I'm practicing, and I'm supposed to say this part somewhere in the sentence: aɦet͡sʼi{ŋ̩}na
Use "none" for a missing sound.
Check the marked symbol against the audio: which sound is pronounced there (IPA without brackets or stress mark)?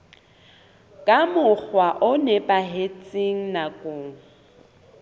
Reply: ŋ̩